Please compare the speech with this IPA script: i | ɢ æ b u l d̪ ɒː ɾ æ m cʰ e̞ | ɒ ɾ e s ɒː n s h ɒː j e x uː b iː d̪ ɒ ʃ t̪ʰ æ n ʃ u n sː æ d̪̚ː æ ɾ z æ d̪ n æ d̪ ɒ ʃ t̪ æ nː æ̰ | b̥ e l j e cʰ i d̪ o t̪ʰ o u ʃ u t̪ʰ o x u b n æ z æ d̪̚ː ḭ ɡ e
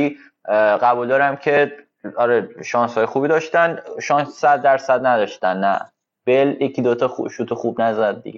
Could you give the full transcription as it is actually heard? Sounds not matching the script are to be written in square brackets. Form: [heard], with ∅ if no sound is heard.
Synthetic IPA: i | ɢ æ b u l d̪ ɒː ɾ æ m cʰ e̞ | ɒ ɾ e [ʃ] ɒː n s h ɒː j e x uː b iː d̪ ɒ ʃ [t̪] æ n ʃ [ɒ] n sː æ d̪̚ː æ ɾ [s] æ d̪ n æ d̪ ɒ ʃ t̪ æ nː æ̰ | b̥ e l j e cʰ i d̪ o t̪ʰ [ɒ] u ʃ u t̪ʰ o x u b n æ z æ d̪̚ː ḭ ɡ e